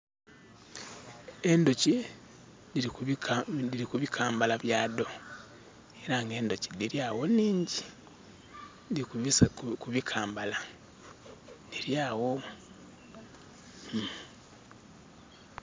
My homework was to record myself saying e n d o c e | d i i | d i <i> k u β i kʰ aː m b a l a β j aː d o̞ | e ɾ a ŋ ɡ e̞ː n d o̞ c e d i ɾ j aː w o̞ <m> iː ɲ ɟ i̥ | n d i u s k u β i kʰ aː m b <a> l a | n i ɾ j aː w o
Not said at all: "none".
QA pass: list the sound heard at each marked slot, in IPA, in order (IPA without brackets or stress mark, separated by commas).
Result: i, n, a